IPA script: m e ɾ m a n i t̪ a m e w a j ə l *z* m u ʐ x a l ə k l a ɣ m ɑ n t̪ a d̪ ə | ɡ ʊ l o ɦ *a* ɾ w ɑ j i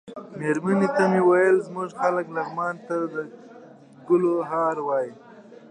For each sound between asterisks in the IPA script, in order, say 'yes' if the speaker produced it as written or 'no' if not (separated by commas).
yes, no